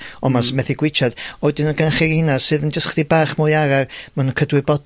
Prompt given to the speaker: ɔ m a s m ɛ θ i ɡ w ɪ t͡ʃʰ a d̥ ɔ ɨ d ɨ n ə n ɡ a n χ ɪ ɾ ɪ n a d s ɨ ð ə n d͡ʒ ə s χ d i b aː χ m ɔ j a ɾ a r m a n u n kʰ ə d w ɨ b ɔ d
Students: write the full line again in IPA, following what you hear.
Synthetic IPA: ɔ m a s m ɛ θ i ɡ w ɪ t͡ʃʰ a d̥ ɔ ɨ d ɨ n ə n ɡ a n χ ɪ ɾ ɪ n a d s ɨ ð ə n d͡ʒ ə s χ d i b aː χ m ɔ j a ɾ a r m a n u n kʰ ə d w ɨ b ɔ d